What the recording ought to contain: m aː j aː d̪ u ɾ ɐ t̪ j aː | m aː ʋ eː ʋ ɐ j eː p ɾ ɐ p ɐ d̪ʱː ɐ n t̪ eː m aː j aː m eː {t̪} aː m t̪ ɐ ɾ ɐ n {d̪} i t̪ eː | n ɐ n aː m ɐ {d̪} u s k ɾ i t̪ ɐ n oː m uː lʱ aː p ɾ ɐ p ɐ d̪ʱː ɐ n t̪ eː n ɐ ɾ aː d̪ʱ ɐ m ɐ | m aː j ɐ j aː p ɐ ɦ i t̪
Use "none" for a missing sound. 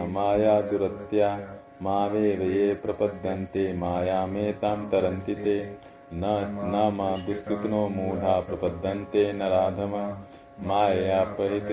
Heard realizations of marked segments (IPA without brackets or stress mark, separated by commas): t̪, t̪, d̪